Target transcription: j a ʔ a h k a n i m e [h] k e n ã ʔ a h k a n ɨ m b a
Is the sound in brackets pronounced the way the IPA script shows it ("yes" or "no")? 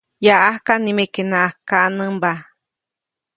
no